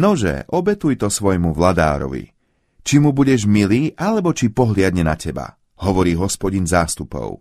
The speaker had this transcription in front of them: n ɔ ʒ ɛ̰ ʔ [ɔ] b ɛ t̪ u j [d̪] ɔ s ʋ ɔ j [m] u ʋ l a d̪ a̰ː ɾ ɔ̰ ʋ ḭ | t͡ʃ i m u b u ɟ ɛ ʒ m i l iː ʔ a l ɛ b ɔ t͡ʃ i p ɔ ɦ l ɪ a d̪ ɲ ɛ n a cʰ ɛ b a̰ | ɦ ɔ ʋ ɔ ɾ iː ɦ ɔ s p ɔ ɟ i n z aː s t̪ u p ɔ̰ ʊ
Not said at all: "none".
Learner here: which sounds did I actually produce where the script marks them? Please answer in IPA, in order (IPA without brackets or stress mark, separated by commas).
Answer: ɔ, t̪, m